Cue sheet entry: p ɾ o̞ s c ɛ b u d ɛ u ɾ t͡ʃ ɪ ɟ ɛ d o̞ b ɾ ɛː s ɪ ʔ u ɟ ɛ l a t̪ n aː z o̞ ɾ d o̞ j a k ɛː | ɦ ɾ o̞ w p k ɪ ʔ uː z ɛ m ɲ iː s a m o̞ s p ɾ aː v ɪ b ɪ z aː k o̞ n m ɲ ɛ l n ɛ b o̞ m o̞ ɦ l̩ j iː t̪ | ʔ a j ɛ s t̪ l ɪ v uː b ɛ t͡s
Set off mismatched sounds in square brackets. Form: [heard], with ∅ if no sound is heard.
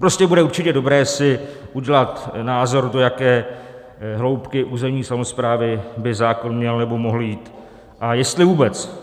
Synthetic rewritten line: p ɾ o̞ s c ɛ b u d ɛ u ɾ t͡ʃ ɪ [c] ɛ d o̞ b ɾ ɛː s ɪ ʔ u ɟ ɛ l a t̪ n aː z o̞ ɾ d o̞ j a k ɛː | ɦ [l] o̞ w p k ɪ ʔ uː z ɛ m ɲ iː s a m o̞ s p ɾ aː v ɪ b ɪ z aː k o̞ n m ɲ ɛ l n ɛ b o̞ m o̞ ɦ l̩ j iː t̪ | ʔ a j ɛ s t̪ l ɪ v uː b ɛ t͡s